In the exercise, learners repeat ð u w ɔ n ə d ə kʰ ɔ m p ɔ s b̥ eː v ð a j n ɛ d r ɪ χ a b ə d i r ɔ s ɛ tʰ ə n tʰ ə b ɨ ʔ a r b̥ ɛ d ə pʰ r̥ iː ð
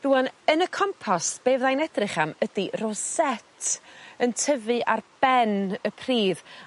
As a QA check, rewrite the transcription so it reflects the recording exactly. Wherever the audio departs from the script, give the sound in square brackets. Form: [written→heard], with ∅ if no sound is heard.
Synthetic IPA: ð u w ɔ n ə [d→n] ə kʰ ɔ m [p→pʰ] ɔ s b̥ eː v ð a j n ɛ d r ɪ χ a [b→m] ə d i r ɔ s ɛ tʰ ə n tʰ ə [b→v] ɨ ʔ a r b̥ ɛ [d→n] ə pʰ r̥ iː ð